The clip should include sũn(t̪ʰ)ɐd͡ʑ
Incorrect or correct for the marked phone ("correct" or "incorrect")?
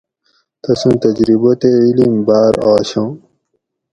incorrect